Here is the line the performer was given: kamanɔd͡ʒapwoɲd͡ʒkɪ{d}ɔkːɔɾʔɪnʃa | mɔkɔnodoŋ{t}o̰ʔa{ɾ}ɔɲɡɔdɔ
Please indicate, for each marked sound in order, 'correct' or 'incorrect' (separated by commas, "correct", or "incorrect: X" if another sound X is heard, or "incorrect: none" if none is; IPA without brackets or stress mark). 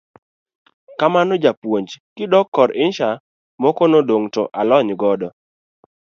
correct, correct, incorrect: l